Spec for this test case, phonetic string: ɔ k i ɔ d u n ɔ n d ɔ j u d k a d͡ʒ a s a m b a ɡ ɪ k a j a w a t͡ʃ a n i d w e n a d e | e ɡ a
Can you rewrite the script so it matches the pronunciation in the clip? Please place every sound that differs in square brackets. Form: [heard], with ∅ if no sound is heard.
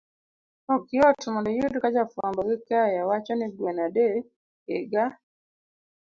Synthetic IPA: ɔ k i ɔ [t] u [m] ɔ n d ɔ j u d k a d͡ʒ a [f] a m b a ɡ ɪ k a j a w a t͡ʃ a n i [ɡ] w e n a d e | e ɡ a